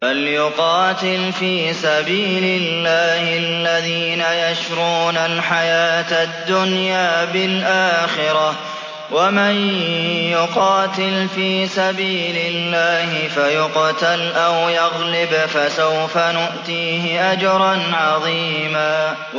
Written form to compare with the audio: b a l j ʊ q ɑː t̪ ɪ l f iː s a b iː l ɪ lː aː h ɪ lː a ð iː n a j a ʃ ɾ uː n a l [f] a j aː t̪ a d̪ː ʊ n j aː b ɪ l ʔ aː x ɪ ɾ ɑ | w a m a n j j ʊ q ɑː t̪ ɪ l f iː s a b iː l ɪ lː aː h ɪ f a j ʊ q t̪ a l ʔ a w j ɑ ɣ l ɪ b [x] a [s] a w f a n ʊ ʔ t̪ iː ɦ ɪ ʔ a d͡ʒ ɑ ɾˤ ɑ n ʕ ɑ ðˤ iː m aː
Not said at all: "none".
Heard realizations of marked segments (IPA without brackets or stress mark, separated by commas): ħ, f, s